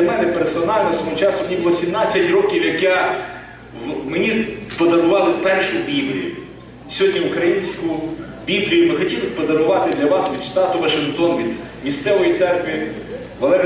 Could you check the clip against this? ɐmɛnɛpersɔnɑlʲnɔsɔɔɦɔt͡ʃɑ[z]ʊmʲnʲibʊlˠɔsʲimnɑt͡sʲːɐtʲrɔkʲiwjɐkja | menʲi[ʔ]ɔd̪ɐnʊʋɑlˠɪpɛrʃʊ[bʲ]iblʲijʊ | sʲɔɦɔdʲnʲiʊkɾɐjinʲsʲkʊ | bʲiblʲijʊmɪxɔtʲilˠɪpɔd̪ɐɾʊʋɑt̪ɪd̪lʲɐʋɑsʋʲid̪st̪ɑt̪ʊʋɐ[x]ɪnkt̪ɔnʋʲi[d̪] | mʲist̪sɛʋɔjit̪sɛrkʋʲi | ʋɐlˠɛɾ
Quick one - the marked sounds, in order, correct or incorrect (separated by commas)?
incorrect, incorrect, correct, incorrect, correct